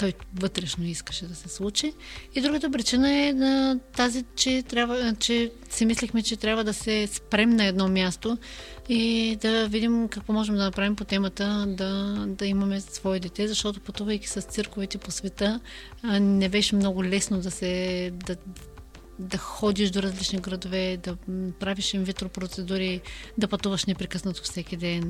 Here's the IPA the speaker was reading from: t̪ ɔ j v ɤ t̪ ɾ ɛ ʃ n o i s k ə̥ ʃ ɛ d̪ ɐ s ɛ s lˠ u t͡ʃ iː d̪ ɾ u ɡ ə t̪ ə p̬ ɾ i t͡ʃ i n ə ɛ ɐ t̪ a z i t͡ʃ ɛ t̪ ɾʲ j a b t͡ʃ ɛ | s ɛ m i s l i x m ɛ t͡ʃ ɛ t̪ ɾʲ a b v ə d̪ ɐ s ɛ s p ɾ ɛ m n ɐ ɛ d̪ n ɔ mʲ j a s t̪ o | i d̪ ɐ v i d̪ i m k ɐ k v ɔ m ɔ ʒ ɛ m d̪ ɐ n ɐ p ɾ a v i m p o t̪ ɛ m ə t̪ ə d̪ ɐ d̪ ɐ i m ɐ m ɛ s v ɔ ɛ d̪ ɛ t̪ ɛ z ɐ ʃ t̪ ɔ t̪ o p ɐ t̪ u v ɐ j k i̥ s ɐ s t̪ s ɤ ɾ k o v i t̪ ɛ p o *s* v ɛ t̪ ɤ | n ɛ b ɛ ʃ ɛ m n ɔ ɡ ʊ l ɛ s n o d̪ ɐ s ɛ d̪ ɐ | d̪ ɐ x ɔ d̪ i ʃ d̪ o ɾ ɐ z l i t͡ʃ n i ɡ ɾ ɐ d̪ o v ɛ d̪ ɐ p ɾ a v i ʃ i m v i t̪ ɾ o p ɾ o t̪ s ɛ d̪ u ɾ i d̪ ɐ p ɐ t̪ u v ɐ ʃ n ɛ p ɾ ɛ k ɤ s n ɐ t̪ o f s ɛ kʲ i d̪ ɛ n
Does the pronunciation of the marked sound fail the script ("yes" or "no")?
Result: no